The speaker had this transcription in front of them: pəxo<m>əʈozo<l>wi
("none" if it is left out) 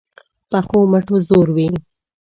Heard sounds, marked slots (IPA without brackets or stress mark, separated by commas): m, ɾ